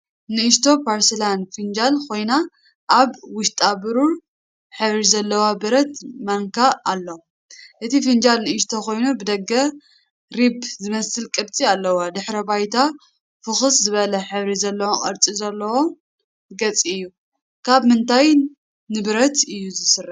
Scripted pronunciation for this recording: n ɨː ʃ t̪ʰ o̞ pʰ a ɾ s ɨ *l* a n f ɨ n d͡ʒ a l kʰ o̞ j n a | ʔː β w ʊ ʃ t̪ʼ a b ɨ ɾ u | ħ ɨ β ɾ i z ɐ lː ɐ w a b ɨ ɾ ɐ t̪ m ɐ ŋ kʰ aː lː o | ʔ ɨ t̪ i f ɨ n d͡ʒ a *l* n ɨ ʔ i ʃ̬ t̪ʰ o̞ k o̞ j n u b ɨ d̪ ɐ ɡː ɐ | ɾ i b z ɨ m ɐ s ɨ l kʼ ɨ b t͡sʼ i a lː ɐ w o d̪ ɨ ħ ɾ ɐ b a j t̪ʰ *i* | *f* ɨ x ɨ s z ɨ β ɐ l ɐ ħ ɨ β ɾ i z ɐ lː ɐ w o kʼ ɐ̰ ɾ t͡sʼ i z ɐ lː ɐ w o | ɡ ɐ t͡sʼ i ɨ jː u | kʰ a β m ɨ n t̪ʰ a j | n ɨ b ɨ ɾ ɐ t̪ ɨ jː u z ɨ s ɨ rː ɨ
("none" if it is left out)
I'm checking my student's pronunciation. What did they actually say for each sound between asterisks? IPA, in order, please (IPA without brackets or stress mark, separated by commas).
l, l, a, f